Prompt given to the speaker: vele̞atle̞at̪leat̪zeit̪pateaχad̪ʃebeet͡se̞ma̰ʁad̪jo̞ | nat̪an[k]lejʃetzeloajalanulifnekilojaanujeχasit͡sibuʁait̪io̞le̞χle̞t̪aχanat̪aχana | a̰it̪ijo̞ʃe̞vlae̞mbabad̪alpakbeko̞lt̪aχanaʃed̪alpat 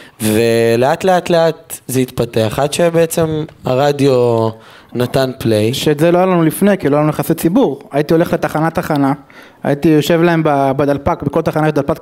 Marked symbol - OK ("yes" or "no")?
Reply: no